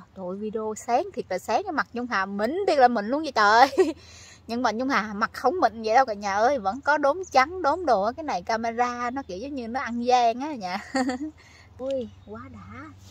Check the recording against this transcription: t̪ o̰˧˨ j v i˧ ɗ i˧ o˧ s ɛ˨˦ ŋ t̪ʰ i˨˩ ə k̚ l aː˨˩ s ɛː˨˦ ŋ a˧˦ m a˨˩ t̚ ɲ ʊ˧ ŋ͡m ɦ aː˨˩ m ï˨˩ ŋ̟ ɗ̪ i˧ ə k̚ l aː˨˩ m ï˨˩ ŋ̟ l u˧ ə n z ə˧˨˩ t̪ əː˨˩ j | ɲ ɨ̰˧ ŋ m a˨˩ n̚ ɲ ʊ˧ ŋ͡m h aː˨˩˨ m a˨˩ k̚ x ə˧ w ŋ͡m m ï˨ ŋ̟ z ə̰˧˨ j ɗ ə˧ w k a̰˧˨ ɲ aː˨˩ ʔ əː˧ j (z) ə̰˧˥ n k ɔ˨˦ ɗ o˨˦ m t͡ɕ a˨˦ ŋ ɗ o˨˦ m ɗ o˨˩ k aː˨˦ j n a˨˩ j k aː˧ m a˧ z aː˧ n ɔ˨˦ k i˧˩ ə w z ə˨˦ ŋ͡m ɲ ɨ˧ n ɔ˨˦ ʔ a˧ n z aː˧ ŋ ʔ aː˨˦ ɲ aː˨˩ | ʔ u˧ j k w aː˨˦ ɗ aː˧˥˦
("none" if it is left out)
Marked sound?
v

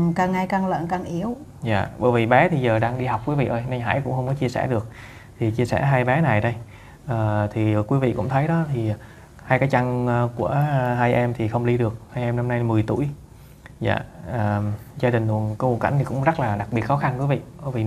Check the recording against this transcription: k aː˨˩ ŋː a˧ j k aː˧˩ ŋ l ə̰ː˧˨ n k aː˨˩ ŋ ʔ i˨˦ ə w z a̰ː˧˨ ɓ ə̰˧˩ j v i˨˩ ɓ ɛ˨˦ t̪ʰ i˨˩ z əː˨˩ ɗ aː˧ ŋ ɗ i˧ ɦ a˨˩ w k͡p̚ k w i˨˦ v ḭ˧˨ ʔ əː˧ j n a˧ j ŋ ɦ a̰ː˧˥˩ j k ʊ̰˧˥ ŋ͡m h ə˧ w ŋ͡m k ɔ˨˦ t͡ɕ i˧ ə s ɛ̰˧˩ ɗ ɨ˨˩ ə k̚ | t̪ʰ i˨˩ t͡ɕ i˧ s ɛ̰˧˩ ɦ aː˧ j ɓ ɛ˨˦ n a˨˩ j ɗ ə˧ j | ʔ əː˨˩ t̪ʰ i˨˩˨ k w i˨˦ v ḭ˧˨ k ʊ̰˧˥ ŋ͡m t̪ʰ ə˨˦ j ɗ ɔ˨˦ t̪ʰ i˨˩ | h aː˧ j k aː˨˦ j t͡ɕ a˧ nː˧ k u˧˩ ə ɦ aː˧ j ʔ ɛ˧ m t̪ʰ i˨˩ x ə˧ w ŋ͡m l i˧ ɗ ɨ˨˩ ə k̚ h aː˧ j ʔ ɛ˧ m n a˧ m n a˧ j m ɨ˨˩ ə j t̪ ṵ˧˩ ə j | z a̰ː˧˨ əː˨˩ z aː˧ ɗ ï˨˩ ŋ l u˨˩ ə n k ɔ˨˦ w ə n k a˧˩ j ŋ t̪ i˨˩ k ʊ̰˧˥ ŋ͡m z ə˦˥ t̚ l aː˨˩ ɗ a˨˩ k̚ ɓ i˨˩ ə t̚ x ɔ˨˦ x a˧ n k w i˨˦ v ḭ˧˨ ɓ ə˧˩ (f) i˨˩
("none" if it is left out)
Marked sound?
v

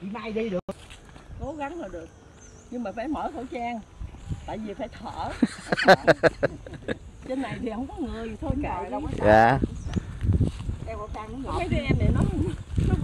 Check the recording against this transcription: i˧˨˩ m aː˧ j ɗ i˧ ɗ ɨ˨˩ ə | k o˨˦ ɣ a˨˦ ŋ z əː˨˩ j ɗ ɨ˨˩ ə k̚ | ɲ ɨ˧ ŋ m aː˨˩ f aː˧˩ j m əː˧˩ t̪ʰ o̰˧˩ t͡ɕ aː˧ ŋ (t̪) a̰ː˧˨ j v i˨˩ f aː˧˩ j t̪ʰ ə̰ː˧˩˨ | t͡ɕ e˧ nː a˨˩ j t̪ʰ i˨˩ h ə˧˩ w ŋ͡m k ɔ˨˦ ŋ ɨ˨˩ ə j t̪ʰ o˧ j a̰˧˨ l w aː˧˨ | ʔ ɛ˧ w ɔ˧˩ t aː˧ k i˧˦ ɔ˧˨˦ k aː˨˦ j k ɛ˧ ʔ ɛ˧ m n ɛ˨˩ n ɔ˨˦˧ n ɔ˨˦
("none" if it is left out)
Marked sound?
t̪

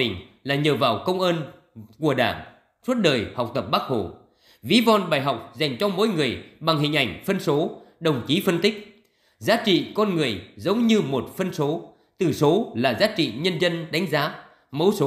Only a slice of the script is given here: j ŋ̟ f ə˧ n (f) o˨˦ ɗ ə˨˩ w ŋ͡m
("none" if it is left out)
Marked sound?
s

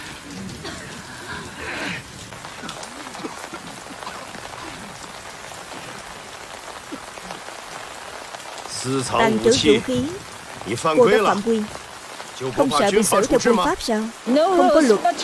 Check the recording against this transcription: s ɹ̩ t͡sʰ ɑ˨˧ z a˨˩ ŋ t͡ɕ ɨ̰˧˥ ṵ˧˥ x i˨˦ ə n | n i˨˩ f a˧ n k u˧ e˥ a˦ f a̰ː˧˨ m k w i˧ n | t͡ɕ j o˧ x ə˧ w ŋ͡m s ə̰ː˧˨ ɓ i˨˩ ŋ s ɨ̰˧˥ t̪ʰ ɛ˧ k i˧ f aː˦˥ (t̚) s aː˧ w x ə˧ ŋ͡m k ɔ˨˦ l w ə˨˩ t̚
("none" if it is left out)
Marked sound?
p̚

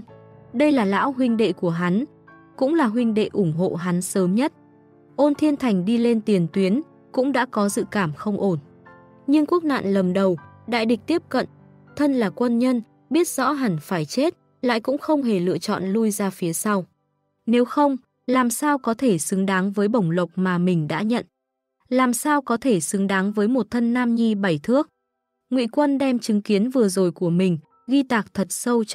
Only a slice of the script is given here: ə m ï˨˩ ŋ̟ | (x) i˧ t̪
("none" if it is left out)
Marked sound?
ɣ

